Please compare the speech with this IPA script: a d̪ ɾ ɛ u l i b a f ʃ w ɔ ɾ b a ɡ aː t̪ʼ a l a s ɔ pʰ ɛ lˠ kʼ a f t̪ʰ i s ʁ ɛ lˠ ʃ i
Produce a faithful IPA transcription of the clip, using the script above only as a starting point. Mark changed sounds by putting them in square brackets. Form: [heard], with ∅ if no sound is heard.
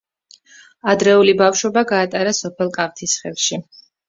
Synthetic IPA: a d̪ ɾ ɛ u l i b a f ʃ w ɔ [∅] b a ɡ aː t̪ʼ a [ɾ] a s ɔ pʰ ɛ lˠ kʼ a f t̪ʰ i s [χ] ɛ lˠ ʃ i

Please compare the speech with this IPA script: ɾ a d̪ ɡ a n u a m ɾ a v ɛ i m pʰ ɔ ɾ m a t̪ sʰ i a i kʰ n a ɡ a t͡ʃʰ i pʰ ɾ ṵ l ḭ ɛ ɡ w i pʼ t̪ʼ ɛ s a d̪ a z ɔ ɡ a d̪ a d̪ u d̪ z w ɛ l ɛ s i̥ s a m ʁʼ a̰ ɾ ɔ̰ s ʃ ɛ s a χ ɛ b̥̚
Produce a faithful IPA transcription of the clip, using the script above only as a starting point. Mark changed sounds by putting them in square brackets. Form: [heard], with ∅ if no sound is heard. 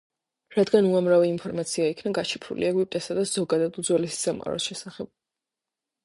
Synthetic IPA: ɾ a d̪ ɡ a n u a m ɾ a v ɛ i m pʰ ɔ ɾ m a t̪ sʰ i a i kʰ n a ɡ a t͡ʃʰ i pʰ ɾ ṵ l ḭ ɛ ɡ w i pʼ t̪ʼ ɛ s a d̪ a z ɔ ɡ a d̪ a d̪ u d̪ z w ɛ l ɛ s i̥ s a m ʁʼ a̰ ɾ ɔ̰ s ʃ ɛ s a χ ɛ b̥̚

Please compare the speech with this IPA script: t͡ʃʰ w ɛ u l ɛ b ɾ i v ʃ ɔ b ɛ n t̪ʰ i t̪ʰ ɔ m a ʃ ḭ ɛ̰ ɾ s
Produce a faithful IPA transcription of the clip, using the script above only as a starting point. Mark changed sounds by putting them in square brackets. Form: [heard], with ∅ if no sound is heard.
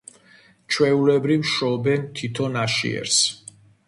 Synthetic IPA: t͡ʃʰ w ɛ u l ɛ b ɾ i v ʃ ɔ b ɛ n t̪ʰ i t̪ʰ ɔ [n] a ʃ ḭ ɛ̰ ɾ s

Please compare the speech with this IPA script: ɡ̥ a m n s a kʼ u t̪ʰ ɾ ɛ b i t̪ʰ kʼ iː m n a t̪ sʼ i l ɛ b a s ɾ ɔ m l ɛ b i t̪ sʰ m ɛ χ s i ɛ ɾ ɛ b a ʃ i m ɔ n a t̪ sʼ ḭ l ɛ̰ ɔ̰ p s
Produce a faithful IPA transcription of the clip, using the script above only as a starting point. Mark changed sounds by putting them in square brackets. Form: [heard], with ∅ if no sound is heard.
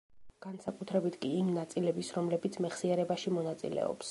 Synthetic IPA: ɡ̥ a [∅] n s a kʼ u t̪ʰ ɾ ɛ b i t̪ʰ kʼ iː m n a t̪ sʼ i l ɛ b [i] s ɾ ɔ m l ɛ b i t̪ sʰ m ɛ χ s i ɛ ɾ ɛ b a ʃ i m ɔ n a t̪ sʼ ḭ l ɛ̰ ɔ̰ p s

